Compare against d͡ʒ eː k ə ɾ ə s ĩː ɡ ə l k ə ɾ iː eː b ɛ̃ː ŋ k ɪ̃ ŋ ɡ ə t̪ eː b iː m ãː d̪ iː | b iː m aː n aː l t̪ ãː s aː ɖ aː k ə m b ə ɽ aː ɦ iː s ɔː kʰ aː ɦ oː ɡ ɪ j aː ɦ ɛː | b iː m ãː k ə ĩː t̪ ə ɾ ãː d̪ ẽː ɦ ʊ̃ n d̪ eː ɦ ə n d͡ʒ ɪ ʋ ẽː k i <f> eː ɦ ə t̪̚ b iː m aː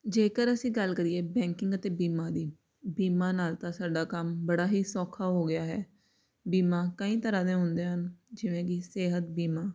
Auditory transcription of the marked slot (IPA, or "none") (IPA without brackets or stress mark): s